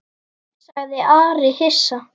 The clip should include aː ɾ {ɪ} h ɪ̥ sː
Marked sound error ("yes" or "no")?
no